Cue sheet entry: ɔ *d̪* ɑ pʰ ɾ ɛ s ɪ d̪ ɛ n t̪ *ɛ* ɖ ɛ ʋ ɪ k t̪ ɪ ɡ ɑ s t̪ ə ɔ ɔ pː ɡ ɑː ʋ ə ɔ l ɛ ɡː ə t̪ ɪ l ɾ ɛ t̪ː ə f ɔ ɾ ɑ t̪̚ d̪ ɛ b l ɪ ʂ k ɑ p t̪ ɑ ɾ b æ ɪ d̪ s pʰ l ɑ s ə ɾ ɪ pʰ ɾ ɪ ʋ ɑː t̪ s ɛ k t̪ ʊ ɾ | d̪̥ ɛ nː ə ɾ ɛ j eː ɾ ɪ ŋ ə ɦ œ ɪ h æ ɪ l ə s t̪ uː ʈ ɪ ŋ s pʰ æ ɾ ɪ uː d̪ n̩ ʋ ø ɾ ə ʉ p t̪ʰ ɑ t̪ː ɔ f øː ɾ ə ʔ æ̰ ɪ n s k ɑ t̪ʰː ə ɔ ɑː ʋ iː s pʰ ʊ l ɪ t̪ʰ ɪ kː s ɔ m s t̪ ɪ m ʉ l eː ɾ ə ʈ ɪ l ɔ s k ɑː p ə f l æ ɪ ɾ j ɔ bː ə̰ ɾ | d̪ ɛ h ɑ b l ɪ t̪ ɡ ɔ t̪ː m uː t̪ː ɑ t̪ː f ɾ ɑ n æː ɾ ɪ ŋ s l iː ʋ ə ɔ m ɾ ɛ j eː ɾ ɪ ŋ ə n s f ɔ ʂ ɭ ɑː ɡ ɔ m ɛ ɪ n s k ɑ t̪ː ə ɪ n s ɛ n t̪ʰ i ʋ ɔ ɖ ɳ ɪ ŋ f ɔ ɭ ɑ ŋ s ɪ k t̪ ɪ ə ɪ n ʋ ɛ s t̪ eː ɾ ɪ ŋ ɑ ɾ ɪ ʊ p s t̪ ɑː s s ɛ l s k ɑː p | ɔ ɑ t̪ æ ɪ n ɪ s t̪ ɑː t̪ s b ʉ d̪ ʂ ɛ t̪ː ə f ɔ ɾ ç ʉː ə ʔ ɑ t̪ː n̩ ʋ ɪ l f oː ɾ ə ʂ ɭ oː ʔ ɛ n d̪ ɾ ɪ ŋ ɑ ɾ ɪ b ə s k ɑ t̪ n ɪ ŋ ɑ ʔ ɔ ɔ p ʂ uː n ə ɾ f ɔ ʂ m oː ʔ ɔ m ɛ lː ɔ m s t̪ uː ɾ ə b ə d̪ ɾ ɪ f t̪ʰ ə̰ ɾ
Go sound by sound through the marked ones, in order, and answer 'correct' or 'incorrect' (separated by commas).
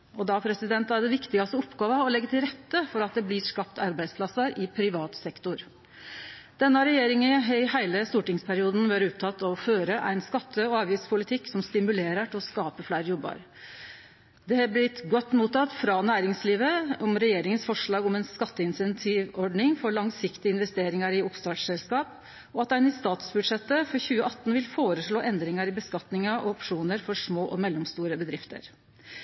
correct, incorrect